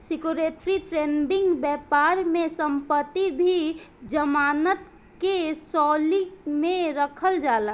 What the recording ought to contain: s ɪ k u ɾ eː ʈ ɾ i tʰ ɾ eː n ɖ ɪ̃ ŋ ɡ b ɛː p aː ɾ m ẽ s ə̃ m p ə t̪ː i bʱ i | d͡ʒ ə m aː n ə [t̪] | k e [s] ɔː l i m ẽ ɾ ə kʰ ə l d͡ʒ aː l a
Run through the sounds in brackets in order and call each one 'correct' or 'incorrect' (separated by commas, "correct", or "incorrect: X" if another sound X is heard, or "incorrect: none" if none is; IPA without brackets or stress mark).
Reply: correct, correct